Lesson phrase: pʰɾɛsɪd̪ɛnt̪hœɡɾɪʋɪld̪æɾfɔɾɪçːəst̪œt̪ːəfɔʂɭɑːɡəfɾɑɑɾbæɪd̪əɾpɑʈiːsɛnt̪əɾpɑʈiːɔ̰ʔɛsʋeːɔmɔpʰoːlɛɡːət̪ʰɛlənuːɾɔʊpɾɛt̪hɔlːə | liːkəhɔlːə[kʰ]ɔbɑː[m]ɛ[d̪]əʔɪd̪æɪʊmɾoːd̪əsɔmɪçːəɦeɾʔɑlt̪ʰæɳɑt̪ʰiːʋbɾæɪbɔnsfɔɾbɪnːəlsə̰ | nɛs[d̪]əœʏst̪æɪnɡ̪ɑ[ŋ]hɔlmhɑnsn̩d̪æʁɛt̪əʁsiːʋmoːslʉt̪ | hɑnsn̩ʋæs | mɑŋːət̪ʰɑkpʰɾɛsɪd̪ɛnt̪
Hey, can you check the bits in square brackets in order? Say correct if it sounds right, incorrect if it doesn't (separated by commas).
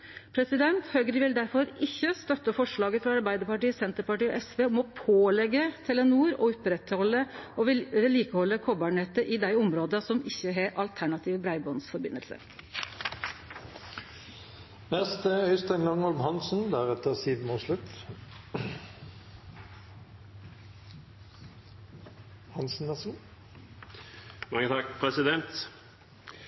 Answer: correct, incorrect, incorrect, incorrect, correct